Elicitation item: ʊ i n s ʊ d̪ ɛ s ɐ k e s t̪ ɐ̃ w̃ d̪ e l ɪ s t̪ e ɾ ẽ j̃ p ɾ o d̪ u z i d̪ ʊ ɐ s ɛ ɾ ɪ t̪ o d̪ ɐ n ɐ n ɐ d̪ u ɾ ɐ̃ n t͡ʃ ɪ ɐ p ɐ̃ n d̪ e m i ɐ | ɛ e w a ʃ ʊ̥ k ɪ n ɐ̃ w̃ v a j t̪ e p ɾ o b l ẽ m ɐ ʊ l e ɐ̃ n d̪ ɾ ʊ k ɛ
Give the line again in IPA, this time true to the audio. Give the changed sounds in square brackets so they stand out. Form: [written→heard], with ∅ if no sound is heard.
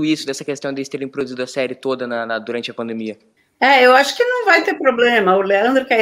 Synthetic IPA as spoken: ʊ i [n→∅] s ʊ d̪ ɛ s ɐ k e s t̪ ɐ̃ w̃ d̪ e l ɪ s t̪ e ɾ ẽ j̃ p ɾ o d̪ u z i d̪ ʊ ɐ s ɛ ɾ ɪ t̪ o d̪ ɐ n ɐ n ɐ d̪ u ɾ ɐ̃ n t͡ʃ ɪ ɐ p ɐ̃ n d̪ e m i ɐ | ɛ e w a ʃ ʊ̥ k ɪ n ɐ̃ w̃ v a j t̪ e p ɾ o b l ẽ m ɐ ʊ l e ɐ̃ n d̪ ɾ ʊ k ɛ